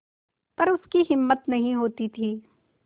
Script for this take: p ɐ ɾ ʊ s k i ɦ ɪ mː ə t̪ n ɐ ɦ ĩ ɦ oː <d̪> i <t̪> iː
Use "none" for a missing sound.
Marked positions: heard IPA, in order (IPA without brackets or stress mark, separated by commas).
t̪, t̪ʰ